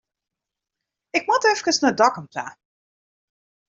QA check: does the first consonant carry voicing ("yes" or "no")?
no